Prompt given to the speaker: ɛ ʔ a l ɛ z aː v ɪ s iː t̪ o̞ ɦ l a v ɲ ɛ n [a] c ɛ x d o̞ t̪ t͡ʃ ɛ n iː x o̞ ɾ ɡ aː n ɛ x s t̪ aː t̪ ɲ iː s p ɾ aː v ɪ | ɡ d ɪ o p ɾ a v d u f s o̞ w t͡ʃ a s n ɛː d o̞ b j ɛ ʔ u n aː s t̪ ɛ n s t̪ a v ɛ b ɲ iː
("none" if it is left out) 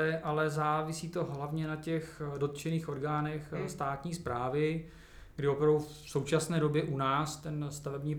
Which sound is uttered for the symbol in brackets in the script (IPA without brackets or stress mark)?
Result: a